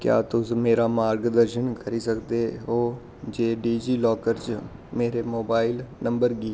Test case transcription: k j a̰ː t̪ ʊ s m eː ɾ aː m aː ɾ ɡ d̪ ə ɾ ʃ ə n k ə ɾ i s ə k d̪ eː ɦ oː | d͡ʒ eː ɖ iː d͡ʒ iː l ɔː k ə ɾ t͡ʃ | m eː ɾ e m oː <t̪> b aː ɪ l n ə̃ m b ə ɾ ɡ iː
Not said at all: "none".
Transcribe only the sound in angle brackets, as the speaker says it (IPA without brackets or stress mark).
none